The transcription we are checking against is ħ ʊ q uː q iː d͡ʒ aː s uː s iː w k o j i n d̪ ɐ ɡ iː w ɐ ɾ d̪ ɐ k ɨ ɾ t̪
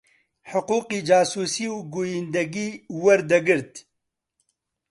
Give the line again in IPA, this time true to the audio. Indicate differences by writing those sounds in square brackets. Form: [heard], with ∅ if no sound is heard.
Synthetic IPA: ħ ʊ q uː q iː d͡ʒ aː s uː s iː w [ɡ] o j i n d̪ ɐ ɡ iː w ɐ ɾ d̪ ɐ [ɡ] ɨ ɾ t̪